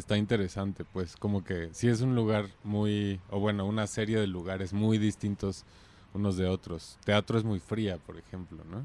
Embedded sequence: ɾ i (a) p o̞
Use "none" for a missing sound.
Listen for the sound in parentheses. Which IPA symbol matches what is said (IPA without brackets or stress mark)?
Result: a